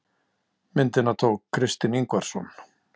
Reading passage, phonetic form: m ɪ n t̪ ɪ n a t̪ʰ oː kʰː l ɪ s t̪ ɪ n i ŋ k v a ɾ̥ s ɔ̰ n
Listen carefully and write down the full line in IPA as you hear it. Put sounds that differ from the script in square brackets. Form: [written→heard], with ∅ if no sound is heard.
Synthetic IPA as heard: m ɪ n t̪ ɪ n a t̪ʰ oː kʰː [l→ɾ] ɪ s t̪ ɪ n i ŋ k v a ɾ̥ s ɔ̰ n